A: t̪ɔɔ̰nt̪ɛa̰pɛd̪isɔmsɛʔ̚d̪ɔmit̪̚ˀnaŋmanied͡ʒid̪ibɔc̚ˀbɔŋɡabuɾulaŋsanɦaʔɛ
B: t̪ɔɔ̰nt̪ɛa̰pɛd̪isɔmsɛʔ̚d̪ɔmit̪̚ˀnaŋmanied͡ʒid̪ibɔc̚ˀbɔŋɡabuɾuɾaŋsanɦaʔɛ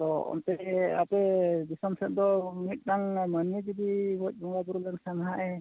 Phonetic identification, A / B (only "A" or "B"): A